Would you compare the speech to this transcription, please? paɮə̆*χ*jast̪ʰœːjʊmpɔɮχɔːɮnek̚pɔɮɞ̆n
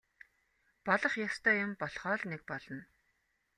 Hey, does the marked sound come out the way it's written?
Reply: yes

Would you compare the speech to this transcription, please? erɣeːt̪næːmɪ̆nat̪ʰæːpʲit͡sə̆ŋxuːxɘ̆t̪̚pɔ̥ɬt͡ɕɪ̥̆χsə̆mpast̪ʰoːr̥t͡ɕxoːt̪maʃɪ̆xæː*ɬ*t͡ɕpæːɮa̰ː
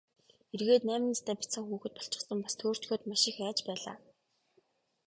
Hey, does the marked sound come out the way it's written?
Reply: no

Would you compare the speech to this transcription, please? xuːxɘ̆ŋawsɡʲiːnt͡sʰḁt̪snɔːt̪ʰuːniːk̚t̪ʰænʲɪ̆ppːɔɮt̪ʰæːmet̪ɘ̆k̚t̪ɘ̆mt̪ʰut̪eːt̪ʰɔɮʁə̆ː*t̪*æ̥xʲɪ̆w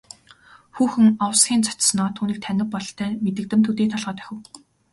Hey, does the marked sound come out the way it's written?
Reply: yes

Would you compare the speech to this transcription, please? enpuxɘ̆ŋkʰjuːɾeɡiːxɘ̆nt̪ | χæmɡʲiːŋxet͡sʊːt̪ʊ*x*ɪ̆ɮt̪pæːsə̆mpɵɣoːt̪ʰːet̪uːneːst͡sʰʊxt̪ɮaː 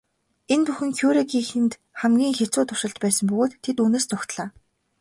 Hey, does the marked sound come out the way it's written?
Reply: no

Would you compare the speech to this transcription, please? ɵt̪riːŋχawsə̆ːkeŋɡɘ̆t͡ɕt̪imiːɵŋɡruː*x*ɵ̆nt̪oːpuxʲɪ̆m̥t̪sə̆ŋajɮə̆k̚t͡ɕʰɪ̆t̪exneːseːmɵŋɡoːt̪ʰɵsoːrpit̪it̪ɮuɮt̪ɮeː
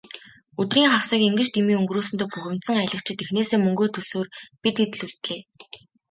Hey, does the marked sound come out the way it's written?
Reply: no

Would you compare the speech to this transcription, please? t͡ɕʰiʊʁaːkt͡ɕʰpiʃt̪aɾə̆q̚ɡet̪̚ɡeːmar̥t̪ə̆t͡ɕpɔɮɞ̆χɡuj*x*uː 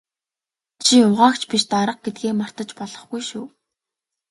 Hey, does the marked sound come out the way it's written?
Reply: no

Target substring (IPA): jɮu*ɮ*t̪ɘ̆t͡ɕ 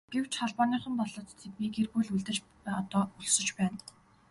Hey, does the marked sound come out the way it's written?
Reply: yes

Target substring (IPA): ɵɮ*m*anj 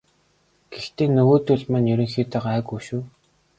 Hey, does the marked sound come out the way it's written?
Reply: yes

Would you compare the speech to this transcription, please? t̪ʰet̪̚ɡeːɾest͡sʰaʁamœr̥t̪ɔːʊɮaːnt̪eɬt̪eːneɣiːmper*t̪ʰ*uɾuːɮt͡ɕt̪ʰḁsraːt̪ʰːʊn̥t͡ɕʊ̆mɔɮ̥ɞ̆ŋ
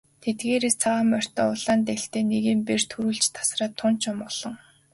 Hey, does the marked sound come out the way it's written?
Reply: yes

